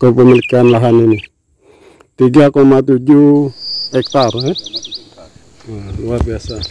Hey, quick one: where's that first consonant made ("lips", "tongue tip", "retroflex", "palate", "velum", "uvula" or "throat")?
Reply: velum